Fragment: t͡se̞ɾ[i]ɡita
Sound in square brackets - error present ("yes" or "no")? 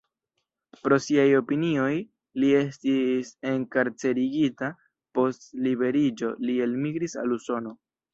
no